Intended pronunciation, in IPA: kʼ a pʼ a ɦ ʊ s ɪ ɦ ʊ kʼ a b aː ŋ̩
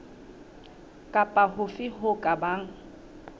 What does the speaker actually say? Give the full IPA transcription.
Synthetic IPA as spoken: kʼ a pʼ a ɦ ʊ f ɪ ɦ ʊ kʼ a b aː ŋ̩